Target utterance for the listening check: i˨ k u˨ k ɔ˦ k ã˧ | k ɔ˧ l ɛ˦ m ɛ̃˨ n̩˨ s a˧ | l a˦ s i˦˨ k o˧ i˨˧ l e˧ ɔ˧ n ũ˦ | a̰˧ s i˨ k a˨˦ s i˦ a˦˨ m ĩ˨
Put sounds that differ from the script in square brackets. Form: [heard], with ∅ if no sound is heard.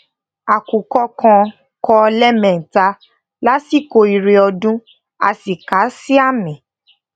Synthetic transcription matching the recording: [a˨] k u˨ k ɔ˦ k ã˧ | k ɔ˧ l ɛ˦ m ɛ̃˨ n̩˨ [t] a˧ | l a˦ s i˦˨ k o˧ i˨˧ [ɾ] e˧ ɔ˧ [d] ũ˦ | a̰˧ s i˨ k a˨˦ s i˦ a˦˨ m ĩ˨